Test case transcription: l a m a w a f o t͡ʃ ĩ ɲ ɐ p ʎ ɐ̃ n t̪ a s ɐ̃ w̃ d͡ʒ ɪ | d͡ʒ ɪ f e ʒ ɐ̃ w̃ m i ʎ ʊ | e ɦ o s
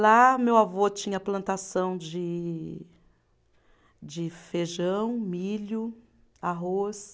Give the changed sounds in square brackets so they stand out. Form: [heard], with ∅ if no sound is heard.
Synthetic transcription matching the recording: l a m [e] w a [v] o t͡ʃ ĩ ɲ ɐ p [l] ɐ̃ n t̪ a s ɐ̃ w̃ d͡ʒ ɪ | d͡ʒ ɪ f e ʒ ɐ̃ w̃ m i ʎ ʊ | [a] ɦ o s